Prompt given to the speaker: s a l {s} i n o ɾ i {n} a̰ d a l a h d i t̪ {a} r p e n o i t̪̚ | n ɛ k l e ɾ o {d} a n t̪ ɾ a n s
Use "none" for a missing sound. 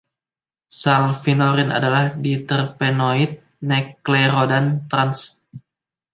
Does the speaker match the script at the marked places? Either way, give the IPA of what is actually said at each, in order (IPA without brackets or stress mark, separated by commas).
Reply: f, n, ə, d